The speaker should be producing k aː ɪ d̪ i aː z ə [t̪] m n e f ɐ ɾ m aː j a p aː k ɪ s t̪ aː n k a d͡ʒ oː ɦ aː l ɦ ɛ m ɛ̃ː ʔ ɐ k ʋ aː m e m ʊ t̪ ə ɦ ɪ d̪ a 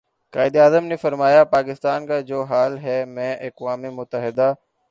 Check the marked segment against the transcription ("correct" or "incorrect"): incorrect